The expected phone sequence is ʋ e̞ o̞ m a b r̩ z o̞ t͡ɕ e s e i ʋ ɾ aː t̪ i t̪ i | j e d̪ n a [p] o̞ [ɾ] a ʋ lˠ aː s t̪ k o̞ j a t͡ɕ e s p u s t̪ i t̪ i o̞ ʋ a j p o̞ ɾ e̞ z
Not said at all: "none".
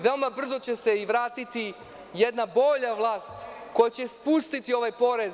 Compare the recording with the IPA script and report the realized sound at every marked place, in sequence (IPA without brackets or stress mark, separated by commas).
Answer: b, ʎ